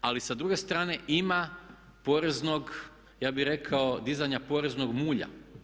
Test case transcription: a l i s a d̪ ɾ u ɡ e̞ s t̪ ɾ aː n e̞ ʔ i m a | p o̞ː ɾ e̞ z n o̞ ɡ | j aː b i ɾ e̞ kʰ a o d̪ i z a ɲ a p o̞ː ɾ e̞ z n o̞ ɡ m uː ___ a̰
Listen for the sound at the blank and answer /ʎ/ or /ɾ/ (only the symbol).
ʎ